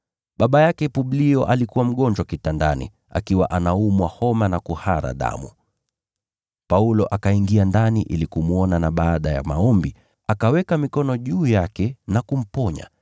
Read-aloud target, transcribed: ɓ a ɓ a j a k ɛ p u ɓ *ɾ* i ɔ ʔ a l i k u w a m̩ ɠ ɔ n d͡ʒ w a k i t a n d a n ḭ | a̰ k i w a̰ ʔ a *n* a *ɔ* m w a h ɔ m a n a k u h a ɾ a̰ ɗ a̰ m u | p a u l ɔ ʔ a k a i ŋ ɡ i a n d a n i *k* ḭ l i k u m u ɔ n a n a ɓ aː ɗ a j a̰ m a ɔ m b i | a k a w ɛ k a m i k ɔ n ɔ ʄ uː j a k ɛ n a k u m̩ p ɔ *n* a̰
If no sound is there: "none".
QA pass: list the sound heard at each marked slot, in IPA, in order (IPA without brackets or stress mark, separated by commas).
l, n, u, ʔ, ɲ